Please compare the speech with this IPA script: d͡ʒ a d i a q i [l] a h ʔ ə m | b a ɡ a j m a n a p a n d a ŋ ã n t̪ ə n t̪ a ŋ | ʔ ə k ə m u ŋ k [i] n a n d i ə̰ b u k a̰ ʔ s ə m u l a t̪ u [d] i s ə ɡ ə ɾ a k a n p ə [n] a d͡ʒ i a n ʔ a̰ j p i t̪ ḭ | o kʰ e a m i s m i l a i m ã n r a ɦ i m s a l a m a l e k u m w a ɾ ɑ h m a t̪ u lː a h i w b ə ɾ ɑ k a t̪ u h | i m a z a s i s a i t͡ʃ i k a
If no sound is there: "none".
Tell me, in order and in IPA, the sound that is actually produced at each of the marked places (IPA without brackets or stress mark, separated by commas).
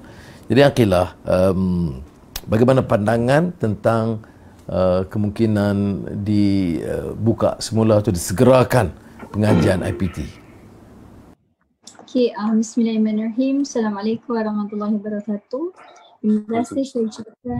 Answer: l, i, d, ŋ